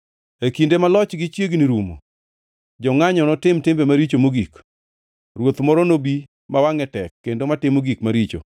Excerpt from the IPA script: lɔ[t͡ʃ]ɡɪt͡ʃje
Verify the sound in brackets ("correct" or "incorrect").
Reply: correct